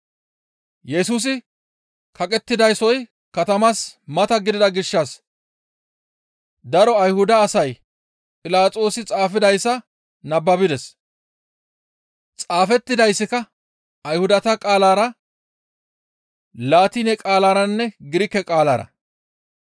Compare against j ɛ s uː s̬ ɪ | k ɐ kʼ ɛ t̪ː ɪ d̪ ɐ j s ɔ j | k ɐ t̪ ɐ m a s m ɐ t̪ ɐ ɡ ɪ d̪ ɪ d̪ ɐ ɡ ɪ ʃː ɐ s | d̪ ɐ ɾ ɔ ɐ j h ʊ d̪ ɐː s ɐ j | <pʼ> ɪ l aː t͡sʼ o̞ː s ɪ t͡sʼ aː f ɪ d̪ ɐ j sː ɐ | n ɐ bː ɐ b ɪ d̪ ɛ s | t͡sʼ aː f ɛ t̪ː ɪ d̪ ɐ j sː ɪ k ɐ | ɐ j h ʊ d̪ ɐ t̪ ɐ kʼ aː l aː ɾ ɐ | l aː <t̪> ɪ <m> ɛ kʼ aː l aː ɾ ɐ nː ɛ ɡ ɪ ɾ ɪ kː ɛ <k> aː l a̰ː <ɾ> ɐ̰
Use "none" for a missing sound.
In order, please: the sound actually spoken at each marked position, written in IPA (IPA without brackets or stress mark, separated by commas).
pʼ, t̪, n, kʼ, ɾ